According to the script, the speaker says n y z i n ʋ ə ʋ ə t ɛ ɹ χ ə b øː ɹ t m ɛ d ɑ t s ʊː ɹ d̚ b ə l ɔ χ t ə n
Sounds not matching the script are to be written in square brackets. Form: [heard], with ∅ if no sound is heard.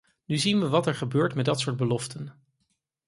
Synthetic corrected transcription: n y z i n ʋ ə ʋ [ɑ] t ɛ ɹ χ ə b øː ɹ t m ɛ d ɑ t s ʊː ɹ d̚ b ə l ɔ [f] t ə n